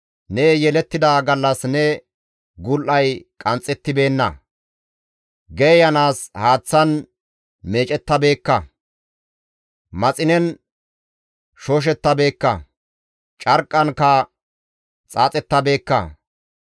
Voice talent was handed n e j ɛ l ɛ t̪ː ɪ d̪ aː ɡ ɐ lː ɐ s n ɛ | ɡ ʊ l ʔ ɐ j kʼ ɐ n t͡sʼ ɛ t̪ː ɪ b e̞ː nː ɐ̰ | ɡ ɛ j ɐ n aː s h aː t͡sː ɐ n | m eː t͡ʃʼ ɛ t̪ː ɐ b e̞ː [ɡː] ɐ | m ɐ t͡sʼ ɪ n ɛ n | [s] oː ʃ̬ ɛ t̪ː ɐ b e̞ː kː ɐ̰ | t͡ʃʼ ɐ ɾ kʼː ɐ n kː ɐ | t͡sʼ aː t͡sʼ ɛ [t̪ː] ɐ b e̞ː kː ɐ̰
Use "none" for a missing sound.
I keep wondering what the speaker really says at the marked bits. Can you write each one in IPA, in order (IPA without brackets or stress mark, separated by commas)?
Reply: kː, ʃ, t̪ː